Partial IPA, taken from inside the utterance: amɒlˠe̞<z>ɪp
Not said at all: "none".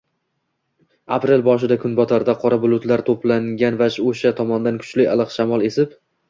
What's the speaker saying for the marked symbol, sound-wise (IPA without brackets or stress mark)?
s